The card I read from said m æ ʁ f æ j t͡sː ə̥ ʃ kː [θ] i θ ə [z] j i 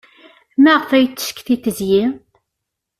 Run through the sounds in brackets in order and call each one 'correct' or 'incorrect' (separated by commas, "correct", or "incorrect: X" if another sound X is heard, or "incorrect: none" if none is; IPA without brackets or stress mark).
correct, correct